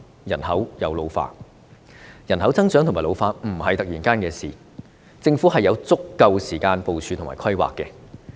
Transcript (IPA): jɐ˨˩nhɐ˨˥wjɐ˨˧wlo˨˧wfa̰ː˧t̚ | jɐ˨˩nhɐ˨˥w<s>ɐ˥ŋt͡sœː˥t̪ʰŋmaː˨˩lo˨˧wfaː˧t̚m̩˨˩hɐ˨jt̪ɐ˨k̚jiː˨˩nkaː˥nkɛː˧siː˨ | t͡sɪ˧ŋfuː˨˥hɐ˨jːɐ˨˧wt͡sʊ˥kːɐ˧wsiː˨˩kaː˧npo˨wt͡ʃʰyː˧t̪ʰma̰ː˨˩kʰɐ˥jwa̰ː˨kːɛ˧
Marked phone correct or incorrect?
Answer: incorrect